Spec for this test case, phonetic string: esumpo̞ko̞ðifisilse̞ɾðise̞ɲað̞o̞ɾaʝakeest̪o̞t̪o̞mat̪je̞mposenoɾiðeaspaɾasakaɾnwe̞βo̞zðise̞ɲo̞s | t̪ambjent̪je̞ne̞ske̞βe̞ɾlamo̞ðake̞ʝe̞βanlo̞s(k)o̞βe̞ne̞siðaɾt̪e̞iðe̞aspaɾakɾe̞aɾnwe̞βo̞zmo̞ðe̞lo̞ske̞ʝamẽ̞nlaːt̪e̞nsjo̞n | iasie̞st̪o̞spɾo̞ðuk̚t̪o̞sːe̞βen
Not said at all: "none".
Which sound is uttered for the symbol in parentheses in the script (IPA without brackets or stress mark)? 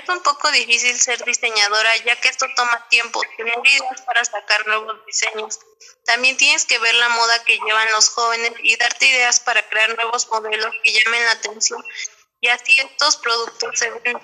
x